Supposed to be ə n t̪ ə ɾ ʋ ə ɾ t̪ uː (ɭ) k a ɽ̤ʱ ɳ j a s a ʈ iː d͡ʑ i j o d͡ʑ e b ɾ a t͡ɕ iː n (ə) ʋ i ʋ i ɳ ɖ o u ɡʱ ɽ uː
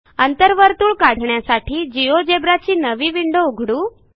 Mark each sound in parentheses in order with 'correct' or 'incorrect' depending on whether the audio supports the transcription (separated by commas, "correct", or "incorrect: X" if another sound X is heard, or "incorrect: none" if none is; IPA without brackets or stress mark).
correct, correct